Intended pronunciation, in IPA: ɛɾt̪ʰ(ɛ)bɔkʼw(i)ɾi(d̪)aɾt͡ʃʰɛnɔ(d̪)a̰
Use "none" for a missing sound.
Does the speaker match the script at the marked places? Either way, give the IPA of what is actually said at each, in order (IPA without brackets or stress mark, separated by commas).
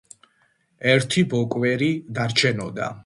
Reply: i, ɛ, d̪, d̪